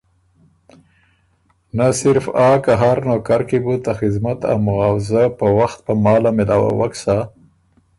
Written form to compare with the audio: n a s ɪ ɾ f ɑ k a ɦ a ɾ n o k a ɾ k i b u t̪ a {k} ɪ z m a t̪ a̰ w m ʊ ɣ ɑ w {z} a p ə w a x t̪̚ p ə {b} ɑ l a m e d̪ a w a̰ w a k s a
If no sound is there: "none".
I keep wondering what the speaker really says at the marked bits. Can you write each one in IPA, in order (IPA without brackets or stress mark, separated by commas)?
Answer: x, z, m